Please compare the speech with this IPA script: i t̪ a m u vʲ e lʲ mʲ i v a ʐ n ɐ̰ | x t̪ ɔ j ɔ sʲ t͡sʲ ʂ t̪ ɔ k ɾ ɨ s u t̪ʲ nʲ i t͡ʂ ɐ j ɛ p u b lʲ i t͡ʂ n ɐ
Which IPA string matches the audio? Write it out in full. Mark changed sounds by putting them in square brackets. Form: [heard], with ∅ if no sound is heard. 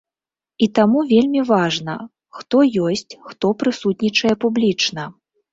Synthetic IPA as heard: i t̪ a m u vʲ e lʲ mʲ i v a ʐ n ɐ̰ | x t̪ ɔ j ɔ sʲ t͡sʲ [x] t̪ ɔ [p] ɾ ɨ s u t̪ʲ nʲ i t͡ʂ ɐ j ɛ p u b lʲ i t͡ʂ n ɐ